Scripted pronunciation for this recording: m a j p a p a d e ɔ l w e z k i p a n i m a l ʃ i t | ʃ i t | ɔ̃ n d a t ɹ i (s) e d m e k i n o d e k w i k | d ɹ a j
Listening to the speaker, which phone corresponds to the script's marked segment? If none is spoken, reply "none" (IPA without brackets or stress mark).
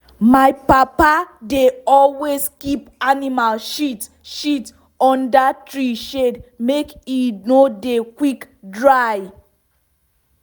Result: ʃ